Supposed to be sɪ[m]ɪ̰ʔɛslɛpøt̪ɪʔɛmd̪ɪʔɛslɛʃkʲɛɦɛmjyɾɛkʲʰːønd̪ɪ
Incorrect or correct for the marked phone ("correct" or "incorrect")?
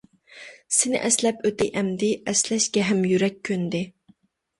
incorrect